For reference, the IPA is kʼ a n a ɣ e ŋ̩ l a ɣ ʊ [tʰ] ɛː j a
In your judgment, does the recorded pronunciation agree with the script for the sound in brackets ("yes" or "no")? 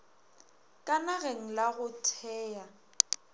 yes